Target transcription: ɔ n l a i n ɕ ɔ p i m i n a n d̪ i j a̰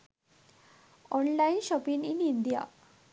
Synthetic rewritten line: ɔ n l a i n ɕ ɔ p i n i n i n d̪ i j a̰